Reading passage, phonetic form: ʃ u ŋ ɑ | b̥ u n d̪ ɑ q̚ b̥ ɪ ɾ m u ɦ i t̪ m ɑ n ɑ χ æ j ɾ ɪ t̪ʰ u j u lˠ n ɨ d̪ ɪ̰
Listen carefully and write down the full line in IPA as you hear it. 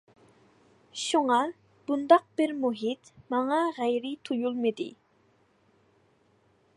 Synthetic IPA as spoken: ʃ u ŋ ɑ | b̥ u n d̪ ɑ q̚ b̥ ɪ ɾ m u ɦ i t̪ m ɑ ŋ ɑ ʁ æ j ɾ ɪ t̪ʰ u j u lˠ m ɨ d̪ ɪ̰